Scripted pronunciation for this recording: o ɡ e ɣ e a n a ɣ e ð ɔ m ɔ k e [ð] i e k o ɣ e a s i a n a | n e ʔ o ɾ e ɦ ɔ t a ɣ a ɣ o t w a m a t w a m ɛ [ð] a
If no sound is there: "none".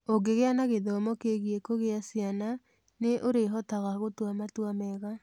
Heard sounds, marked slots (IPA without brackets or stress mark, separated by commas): ɣ, ɣ